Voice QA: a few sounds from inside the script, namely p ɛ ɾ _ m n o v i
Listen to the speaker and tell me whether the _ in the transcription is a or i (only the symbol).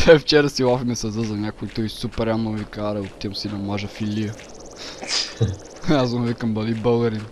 a